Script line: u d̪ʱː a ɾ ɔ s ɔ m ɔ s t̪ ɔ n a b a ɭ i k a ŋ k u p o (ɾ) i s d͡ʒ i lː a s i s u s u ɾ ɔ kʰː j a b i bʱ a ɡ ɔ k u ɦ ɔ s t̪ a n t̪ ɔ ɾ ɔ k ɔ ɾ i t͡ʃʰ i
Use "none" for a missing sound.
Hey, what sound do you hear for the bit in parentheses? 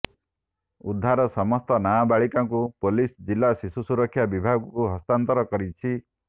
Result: l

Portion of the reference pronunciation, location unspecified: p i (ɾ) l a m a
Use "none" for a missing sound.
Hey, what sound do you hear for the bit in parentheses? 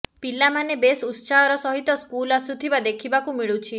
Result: none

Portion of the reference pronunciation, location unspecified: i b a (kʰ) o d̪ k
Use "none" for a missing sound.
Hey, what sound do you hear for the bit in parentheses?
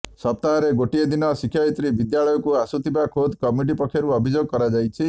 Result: kʰ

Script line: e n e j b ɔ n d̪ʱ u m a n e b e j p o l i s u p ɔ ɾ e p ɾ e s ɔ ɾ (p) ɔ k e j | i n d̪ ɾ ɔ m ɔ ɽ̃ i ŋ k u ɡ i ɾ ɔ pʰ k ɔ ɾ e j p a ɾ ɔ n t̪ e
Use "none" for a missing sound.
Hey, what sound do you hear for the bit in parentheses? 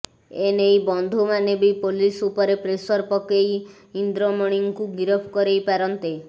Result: p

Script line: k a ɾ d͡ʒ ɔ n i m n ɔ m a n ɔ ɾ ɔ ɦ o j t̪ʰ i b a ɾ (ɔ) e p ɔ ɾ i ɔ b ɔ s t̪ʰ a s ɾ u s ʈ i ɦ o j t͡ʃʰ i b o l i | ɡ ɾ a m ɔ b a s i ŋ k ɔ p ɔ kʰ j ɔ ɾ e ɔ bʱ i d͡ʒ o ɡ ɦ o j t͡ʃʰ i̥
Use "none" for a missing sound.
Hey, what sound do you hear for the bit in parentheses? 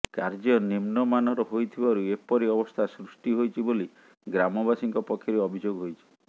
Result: u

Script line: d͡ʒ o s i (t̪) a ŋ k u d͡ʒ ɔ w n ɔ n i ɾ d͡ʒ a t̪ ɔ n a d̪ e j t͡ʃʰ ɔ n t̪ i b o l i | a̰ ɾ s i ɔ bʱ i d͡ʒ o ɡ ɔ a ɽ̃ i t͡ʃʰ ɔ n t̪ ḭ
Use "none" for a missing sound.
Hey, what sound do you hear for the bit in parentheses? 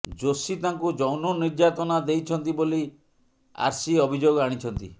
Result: t̪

